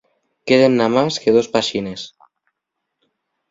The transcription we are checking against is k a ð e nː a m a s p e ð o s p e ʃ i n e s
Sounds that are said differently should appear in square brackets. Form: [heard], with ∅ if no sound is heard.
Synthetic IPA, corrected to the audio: k [e] ð e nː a m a s [k] e ð o s p [a] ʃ i n e s